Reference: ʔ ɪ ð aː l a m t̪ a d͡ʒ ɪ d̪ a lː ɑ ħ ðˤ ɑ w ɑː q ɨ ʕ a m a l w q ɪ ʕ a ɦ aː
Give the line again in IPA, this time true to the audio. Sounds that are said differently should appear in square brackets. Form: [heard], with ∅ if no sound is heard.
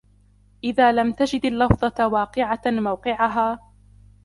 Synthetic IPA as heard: ʔ ɪ ð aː l a m t̪ a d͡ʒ ɪ d̪ a lː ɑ [f] ðˤ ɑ w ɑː q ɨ ʕ a m a [∅] w q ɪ ʕ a ɦ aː